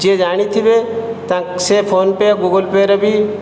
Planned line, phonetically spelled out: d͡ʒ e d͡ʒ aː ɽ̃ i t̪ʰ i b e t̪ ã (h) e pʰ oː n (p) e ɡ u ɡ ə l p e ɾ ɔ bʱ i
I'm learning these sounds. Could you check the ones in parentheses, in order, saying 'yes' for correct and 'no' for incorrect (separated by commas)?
no, yes